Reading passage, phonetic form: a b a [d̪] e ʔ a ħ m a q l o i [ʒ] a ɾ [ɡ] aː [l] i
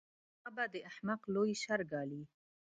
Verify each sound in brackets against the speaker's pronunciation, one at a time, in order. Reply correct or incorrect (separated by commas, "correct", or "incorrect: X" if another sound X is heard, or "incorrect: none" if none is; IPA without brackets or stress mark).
correct, incorrect: ʃ, correct, correct